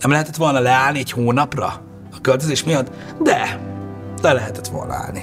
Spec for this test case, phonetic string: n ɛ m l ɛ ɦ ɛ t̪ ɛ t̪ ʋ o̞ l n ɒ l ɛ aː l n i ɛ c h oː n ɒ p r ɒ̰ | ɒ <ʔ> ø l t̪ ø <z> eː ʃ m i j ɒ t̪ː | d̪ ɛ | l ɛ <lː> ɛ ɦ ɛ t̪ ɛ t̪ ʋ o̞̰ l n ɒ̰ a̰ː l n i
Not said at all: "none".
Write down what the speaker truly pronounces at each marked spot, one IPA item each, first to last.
k, z, l

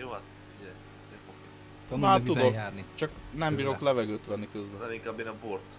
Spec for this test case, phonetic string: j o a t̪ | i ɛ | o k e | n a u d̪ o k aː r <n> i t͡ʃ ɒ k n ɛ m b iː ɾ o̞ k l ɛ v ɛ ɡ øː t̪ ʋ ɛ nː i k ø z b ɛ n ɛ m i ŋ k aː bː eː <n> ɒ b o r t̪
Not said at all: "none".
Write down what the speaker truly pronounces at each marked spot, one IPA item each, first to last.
n, n

